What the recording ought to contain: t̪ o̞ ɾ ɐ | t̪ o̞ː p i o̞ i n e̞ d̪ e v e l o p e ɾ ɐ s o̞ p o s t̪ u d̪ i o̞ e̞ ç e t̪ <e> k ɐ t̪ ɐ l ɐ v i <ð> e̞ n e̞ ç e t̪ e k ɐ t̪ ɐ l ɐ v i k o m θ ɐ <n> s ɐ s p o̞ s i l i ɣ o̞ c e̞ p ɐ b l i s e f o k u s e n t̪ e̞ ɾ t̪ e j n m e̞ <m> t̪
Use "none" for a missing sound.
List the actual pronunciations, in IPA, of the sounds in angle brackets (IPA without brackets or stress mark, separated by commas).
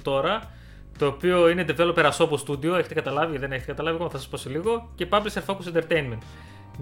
e, ð, none, n